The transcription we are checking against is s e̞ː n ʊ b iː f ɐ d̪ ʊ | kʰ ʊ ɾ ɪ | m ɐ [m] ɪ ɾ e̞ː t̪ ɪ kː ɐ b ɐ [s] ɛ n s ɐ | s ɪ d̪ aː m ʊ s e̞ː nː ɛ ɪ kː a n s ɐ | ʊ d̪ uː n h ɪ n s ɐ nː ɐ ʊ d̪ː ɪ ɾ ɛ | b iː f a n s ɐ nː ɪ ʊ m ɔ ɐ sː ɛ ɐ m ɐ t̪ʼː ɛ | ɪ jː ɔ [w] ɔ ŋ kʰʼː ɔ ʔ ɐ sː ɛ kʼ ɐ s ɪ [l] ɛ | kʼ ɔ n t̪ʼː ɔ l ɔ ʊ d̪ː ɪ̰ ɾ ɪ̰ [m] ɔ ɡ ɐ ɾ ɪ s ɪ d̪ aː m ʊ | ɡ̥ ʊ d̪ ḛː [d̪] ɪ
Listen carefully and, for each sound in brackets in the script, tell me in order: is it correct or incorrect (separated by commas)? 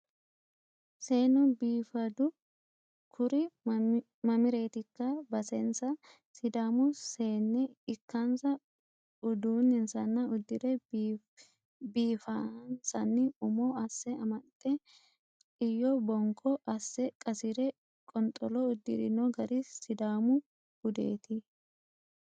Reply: correct, correct, incorrect, incorrect, incorrect, incorrect